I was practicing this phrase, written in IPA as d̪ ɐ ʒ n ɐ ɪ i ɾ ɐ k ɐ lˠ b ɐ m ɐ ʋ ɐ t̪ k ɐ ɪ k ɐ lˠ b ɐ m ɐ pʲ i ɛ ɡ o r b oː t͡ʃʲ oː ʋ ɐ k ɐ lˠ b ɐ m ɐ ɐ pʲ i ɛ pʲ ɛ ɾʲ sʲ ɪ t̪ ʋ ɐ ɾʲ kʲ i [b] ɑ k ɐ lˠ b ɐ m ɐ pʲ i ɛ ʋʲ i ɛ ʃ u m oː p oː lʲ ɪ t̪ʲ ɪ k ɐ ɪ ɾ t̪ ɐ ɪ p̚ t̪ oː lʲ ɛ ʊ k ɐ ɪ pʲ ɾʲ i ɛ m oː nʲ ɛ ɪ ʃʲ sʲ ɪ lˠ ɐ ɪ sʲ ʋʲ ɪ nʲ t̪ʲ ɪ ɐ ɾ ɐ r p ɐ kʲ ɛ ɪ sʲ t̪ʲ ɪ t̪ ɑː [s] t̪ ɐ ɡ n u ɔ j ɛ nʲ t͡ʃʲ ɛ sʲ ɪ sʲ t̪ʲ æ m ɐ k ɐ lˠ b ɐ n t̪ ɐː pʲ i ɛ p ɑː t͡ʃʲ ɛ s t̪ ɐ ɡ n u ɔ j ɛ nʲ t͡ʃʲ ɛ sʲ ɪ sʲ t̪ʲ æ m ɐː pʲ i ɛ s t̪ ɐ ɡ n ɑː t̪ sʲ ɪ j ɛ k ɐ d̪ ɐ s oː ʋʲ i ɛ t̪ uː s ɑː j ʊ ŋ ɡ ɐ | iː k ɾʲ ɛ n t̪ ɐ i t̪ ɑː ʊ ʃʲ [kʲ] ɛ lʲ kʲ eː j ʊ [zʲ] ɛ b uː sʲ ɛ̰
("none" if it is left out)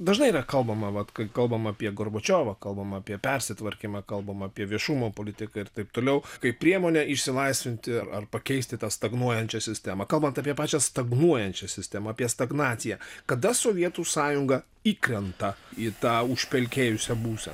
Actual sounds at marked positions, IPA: m, s, pʲ, sʲ

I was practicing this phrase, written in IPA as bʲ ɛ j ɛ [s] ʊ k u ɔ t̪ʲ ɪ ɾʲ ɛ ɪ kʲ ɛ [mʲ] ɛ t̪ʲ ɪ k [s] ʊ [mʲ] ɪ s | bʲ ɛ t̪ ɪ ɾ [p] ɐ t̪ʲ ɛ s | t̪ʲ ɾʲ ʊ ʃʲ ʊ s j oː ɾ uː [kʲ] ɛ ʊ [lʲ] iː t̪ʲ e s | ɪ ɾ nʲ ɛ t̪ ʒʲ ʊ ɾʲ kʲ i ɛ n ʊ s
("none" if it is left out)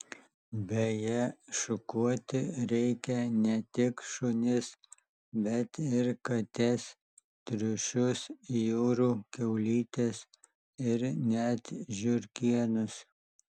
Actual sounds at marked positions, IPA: ʃ, nʲ, ʃ, nʲ, k, kʲ, lʲ

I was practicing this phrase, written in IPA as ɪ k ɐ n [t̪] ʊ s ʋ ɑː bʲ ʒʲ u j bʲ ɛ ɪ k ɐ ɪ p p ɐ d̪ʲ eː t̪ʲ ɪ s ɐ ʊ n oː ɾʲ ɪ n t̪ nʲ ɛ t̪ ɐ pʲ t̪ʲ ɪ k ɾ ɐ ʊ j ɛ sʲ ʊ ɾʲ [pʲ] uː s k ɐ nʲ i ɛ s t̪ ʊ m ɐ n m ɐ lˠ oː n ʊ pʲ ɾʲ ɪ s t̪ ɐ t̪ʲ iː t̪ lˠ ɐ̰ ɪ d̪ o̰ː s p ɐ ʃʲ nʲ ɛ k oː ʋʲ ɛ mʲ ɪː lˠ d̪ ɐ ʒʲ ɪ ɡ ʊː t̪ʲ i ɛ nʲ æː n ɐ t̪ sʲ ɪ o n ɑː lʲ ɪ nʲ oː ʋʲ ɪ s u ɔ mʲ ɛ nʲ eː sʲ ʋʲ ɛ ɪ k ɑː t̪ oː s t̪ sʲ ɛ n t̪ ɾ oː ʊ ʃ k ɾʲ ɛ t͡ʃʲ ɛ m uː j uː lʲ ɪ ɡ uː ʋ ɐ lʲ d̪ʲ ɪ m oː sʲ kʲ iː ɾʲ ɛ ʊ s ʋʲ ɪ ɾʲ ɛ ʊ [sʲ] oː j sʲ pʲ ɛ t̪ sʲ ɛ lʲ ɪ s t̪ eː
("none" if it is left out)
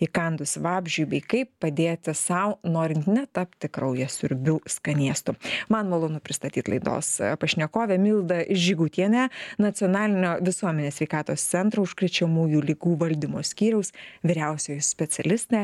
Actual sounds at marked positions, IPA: d̪, bʲ, sʲ

